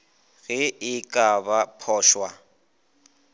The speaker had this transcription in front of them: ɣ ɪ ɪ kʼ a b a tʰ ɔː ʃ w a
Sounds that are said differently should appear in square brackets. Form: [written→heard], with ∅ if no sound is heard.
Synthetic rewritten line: ɣ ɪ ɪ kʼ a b a [tʰ→pʰ] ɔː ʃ w a